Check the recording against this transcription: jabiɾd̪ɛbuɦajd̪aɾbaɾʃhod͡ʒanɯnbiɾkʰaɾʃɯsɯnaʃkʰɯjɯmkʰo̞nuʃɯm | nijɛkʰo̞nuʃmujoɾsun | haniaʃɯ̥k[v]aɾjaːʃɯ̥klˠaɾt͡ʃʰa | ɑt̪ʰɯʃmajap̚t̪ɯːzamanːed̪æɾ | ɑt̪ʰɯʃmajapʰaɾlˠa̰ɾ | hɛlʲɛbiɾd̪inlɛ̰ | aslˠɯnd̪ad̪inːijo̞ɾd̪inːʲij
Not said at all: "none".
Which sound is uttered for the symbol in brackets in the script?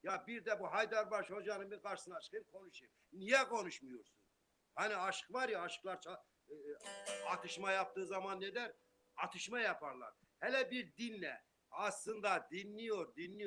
v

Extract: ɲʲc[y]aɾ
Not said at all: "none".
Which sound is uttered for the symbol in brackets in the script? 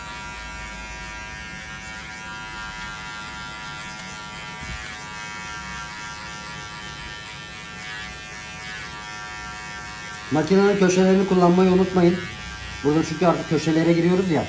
y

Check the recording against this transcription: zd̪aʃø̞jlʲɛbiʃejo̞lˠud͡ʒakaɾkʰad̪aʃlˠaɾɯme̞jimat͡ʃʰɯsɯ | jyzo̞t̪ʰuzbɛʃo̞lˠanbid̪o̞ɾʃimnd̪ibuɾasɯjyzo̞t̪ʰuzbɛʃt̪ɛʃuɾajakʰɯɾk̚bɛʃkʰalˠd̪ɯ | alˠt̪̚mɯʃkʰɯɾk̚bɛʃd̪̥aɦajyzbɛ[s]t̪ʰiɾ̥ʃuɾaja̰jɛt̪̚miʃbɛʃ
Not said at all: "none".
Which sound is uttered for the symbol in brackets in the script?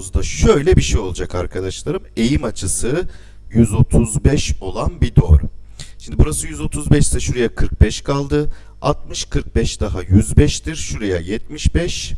ʃ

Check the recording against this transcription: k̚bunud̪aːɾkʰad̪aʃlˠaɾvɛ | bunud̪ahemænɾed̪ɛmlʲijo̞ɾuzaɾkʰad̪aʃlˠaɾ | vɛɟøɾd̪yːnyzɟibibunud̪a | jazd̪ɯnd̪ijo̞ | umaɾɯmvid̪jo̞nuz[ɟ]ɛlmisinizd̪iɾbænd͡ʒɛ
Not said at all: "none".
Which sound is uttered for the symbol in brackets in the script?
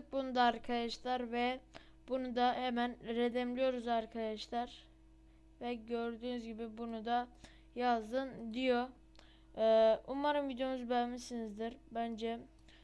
b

